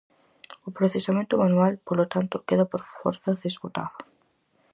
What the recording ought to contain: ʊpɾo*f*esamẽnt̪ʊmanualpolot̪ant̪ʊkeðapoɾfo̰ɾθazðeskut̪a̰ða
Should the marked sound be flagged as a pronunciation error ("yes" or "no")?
yes